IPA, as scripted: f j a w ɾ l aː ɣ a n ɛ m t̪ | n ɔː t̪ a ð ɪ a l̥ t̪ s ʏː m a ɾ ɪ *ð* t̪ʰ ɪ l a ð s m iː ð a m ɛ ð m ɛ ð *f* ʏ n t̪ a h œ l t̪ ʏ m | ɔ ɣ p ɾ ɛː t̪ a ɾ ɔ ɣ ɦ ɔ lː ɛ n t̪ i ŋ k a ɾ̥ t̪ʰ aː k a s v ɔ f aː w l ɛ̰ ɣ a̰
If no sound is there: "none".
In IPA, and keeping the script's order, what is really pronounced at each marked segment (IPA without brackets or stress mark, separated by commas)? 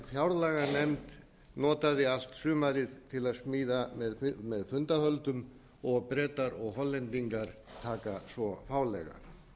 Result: ð, f